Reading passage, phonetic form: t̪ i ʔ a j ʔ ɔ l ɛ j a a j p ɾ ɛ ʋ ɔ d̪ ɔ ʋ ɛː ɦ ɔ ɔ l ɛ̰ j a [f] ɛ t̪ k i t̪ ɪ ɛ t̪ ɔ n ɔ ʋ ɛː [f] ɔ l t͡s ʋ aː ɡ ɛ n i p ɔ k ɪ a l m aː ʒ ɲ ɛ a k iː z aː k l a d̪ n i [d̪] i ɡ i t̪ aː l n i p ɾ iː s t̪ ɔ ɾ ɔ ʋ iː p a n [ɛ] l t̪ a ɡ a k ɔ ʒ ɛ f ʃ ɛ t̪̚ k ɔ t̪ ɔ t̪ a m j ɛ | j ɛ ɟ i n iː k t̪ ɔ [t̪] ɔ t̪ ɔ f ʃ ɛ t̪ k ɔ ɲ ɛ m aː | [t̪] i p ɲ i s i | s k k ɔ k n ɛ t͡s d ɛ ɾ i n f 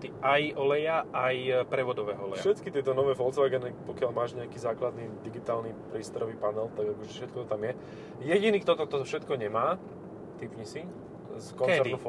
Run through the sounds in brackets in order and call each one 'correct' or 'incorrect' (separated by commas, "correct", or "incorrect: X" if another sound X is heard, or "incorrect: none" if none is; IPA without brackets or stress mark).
incorrect: ʃ, correct, correct, correct, correct, correct